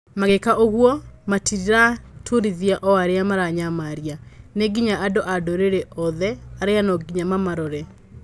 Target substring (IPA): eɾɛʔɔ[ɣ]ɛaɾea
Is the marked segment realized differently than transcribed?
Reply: yes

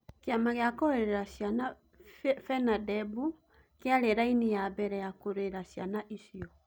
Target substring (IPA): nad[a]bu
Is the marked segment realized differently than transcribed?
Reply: yes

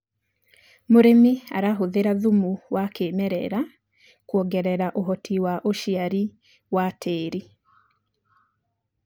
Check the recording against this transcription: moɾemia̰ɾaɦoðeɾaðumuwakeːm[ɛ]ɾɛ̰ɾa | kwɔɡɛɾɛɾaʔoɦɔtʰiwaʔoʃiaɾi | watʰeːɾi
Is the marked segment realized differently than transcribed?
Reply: no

